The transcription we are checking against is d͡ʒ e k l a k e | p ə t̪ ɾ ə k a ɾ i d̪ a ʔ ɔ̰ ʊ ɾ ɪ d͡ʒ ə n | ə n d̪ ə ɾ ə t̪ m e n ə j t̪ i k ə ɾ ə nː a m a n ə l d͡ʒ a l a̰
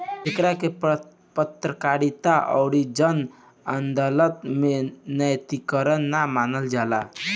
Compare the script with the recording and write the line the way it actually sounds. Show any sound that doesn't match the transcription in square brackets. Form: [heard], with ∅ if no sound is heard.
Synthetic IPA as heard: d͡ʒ e k [ɾ] a k e | p ə t̪ ɾ ə k a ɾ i [t̪] a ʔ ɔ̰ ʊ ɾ [i] d͡ʒ ə n | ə n d̪ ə [l] ə t̪ m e n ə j t̪ i k ə ɾ ə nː a m a n ə l d͡ʒ a l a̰